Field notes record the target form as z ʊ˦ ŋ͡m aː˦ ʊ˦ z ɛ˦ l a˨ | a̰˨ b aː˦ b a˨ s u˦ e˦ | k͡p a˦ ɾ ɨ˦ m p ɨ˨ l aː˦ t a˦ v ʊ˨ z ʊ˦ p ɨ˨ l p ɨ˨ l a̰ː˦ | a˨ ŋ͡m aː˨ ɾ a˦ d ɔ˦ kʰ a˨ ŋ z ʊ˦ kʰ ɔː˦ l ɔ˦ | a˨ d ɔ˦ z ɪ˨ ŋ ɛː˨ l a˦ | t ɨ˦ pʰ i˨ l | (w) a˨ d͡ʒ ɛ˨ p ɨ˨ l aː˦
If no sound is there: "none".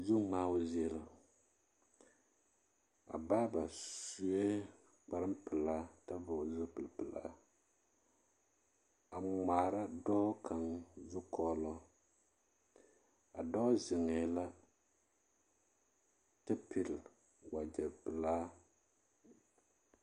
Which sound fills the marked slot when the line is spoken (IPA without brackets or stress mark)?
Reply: w